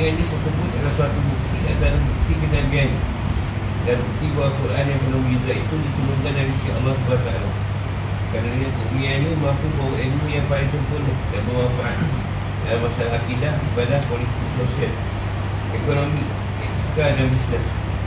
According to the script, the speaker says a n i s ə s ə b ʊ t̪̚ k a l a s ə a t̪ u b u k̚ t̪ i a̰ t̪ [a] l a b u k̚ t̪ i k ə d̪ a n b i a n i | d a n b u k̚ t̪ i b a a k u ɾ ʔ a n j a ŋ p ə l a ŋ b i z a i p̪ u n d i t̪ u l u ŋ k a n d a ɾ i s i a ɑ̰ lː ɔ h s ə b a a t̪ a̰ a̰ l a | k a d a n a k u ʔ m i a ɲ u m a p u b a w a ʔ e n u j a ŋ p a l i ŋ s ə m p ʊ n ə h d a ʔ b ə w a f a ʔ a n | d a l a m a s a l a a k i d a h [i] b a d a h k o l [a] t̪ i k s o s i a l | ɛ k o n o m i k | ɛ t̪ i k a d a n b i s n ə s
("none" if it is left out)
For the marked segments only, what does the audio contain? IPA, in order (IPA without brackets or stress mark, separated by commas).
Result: a, i, i